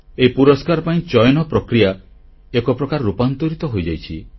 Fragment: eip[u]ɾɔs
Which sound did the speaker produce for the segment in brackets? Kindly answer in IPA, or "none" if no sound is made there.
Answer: u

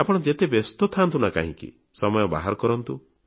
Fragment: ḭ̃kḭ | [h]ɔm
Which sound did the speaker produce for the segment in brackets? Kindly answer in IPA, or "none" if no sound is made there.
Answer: s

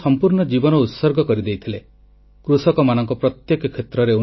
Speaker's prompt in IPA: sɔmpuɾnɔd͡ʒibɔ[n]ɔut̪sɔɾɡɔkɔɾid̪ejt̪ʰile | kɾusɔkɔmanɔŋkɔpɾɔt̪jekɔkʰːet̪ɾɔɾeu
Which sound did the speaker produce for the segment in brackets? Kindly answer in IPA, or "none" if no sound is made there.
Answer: n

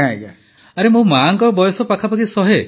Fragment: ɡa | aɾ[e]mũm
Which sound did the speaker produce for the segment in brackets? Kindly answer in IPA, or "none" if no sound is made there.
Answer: e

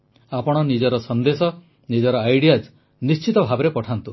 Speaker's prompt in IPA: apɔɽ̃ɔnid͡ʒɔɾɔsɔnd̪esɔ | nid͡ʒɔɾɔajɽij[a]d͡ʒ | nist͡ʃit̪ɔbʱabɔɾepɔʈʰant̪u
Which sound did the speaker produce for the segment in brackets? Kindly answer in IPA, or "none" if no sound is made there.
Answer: a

